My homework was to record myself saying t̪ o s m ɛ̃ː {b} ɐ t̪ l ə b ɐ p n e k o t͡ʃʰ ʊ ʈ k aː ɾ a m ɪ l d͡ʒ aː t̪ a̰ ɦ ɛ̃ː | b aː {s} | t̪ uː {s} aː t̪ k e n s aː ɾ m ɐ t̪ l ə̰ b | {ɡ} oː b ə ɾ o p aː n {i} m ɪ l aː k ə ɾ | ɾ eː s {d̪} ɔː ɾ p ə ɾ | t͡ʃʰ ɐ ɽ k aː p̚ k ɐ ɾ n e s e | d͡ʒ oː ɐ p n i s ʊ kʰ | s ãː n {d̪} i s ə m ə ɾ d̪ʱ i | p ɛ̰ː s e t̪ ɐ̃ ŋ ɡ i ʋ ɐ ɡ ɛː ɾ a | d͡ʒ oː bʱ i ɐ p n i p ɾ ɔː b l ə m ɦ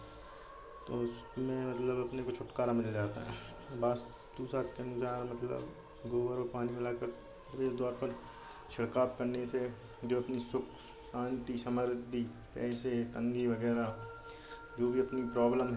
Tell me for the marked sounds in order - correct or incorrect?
incorrect: m, correct, correct, correct, correct, correct, incorrect: t̪

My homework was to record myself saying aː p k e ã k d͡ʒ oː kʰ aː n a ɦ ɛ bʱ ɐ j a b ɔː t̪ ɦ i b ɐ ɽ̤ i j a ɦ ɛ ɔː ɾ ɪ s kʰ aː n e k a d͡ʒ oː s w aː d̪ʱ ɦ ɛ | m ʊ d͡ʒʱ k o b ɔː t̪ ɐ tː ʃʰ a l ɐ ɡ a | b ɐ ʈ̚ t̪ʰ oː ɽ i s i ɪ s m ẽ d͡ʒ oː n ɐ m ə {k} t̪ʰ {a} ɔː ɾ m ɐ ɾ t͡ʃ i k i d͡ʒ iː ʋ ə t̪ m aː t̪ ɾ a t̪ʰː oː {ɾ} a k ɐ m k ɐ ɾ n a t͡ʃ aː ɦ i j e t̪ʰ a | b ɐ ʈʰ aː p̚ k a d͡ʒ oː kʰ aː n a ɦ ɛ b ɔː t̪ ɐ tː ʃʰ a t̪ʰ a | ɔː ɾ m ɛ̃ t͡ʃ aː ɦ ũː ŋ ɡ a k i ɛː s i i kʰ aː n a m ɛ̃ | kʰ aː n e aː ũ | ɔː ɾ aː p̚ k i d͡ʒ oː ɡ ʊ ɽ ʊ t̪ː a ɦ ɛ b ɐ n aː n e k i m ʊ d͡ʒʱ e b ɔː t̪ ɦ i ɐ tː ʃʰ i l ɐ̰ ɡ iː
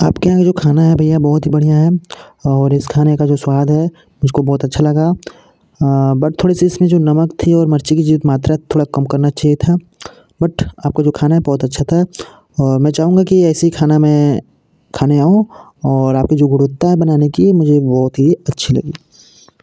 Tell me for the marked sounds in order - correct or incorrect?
correct, incorrect: i, incorrect: ɽ

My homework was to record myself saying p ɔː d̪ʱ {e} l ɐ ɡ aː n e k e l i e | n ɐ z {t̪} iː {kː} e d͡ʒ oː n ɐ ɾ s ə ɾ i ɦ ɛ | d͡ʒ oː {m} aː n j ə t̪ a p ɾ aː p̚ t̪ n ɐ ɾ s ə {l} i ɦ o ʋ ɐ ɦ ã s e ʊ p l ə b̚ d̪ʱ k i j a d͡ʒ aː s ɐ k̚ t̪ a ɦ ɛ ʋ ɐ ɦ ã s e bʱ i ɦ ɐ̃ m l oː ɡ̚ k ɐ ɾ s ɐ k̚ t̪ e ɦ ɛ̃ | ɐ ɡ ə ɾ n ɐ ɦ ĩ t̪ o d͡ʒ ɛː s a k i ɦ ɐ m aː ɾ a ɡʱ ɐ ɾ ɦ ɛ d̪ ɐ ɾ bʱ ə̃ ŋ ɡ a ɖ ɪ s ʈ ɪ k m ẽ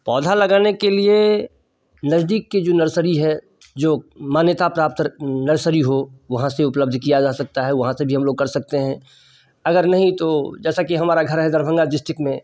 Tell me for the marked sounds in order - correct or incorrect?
incorrect: a, incorrect: d̪, correct, correct, incorrect: ɾ

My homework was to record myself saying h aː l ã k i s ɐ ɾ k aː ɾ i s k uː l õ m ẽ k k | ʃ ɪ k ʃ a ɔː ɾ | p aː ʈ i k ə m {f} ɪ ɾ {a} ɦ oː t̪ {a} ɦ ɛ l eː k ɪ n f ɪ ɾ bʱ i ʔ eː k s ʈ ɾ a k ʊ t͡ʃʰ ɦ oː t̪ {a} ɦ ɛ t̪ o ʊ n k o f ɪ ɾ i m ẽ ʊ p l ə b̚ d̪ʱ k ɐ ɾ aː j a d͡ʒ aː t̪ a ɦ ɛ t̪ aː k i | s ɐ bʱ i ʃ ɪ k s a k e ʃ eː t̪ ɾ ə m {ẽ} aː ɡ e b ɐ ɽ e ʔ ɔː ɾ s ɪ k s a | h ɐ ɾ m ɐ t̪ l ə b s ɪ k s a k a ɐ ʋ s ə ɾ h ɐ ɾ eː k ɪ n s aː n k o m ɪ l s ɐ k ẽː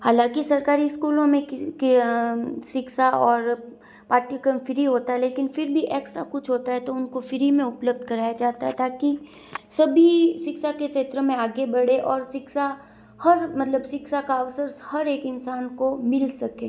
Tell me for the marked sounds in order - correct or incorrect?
correct, incorrect: i, correct, correct, correct

